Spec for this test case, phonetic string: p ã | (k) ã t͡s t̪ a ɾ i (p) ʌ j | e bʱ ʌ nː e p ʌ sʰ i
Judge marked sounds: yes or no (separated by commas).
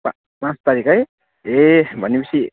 no, no